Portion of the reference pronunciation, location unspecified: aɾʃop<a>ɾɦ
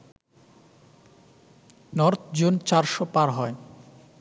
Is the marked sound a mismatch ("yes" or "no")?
no